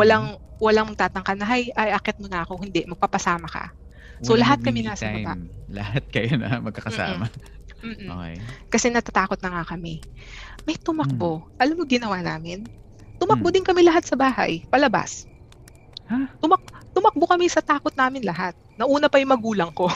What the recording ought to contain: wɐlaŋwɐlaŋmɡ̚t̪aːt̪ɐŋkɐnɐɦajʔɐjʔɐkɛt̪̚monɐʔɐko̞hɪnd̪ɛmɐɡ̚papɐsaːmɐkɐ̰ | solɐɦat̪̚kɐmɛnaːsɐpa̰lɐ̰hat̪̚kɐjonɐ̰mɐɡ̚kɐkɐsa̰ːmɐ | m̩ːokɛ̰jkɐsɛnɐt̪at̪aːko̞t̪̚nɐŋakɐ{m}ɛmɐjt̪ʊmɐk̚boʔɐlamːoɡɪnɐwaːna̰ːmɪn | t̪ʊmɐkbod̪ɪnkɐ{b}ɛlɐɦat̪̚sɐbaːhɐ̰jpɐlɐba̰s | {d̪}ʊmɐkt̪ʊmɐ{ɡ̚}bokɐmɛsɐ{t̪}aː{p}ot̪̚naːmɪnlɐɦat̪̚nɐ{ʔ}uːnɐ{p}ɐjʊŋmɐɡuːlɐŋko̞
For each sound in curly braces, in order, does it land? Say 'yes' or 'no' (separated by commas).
yes, no, no, no, yes, no, yes, yes